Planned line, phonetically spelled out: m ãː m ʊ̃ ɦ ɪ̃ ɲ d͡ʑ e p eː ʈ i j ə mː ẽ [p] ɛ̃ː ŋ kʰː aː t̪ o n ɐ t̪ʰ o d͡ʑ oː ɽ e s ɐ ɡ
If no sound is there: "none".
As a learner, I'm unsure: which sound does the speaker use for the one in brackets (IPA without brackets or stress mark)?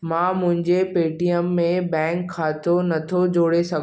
b